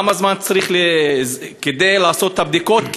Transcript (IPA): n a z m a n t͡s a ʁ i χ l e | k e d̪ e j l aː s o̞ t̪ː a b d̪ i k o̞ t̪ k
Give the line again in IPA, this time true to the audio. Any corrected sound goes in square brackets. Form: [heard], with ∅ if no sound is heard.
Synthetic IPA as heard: [m] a z m a n t͡s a ʁ i χ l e | k e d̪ e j l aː s o̞ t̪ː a b d̪ i k o̞ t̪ k